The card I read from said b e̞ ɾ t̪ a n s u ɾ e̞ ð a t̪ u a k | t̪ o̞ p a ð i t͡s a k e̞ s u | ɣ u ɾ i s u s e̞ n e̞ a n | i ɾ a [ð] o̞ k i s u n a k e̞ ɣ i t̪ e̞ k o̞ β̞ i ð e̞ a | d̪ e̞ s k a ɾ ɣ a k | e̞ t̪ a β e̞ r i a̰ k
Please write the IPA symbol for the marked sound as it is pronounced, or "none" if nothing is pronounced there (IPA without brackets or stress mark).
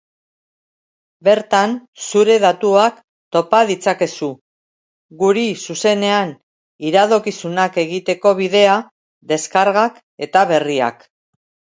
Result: ð